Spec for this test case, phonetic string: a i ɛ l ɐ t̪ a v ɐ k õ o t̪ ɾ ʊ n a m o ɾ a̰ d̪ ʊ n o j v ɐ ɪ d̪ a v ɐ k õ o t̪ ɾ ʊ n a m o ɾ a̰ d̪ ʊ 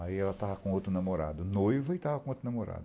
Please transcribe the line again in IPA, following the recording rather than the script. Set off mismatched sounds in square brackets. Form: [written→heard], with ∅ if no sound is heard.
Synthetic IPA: a i ɛ l ɐ t̪ a v ɐ k õ o t̪ ɾ ʊ n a m o ɾ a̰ d̪ ʊ n o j v ɐ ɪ [d̪→t̪] a v ɐ k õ o t̪ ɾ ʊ n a m o ɾ a̰ d̪ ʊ